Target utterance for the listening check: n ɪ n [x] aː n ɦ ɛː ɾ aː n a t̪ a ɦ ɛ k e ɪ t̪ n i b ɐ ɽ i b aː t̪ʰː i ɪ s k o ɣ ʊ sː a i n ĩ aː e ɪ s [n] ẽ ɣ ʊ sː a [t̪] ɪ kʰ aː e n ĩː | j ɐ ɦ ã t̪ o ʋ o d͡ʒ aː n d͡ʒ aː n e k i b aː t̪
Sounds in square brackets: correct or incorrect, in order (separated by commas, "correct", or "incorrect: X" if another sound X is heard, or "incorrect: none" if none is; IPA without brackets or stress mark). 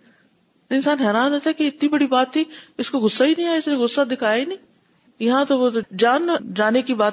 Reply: incorrect: s, correct, incorrect: d̪